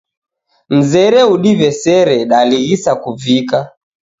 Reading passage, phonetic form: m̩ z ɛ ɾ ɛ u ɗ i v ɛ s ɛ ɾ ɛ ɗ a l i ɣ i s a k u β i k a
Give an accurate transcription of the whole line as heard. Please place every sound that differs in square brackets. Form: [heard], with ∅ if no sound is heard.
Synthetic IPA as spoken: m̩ z ɛ ɾ ɛ u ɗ i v ɛ s ɛ ɾ ɛ ɗ a l i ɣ i s a k u [v] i k a